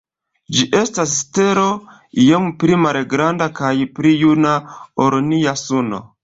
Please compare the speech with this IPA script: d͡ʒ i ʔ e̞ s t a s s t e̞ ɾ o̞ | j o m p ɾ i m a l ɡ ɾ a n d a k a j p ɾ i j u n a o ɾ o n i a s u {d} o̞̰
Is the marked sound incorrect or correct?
incorrect